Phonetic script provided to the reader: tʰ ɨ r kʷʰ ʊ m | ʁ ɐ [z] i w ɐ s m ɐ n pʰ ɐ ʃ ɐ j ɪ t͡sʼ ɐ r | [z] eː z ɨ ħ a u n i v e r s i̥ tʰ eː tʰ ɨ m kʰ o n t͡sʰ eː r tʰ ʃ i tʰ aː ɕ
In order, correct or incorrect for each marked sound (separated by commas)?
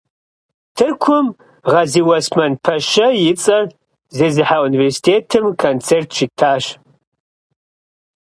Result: correct, correct